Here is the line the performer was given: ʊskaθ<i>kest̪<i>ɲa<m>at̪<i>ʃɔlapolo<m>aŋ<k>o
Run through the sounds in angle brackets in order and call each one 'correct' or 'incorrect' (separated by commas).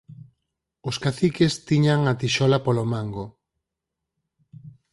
correct, correct, incorrect, correct, correct, incorrect